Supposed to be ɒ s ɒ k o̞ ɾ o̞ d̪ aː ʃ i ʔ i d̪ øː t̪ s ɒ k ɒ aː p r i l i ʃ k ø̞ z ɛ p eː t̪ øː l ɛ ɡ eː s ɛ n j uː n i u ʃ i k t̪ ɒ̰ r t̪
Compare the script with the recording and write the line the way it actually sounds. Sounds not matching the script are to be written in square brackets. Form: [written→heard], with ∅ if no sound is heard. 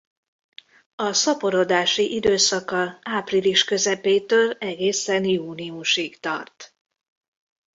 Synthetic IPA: ɒ s ɒ [k→p] o̞ ɾ o̞ d̪ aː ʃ i ʔ i d̪ øː [t̪→∅] s ɒ k ɒ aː p r i l i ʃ k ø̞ z ɛ p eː t̪ øː l ɛ ɡ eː s ɛ n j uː n i u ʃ i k t̪ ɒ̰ r t̪